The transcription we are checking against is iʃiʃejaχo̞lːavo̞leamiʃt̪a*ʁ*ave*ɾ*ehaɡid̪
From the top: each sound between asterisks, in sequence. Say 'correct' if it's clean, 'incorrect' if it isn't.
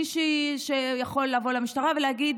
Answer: correct, incorrect: l

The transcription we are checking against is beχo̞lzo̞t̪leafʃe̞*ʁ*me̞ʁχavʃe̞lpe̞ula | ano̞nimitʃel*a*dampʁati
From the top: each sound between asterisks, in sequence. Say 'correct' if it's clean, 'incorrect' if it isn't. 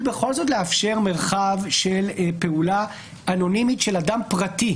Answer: correct, correct

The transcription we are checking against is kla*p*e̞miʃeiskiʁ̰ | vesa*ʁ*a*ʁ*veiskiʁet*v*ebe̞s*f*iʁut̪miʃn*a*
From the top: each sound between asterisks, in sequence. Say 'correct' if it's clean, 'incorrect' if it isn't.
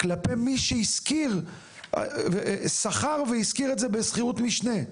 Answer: correct, incorrect: χ, correct, incorrect: z, incorrect: χ, incorrect: e

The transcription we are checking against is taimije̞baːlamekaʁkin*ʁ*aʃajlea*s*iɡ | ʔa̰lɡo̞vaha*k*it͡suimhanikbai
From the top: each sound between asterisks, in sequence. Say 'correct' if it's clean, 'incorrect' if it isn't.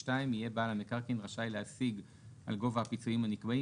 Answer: correct, correct, incorrect: p

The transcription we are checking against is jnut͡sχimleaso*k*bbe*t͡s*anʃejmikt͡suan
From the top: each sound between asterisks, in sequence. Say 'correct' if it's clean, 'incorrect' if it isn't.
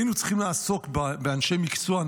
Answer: correct, incorrect: none

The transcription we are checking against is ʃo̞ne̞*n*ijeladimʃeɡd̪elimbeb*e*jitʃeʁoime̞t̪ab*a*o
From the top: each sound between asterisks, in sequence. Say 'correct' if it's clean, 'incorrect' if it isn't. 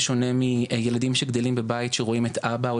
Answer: incorrect: m, incorrect: a, correct

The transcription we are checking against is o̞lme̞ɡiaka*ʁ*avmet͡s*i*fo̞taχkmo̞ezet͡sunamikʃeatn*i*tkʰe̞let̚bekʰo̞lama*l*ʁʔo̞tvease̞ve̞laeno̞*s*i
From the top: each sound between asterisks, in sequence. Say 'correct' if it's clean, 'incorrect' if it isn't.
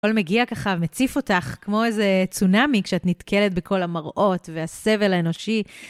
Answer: incorrect: χ, correct, correct, incorrect: none, incorrect: ʃ

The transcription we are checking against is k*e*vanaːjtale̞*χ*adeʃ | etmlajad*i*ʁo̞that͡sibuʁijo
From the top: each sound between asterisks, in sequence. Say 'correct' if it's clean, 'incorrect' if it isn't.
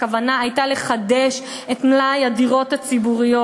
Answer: incorrect: a, correct, correct

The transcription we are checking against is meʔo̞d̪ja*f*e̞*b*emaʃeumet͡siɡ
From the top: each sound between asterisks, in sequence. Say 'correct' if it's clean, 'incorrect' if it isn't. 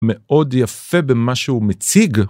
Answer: correct, correct

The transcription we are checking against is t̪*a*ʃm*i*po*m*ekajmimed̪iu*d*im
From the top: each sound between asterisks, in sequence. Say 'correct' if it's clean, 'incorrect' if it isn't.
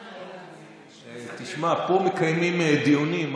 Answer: incorrect: i, incorrect: a, correct, incorrect: n

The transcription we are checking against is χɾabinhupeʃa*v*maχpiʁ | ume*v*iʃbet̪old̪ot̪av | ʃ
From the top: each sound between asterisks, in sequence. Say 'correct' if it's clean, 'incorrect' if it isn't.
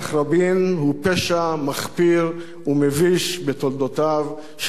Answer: incorrect: none, correct

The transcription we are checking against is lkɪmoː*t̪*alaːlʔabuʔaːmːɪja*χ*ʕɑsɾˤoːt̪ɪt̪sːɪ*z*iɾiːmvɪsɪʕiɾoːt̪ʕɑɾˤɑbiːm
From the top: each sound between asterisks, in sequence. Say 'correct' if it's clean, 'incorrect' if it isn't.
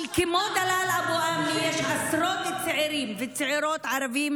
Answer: incorrect: d̪, incorrect: ʃ, incorrect: ʕ

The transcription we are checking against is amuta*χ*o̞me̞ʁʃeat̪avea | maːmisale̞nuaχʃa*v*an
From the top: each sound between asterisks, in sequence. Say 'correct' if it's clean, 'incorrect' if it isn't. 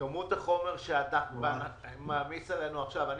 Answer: correct, correct

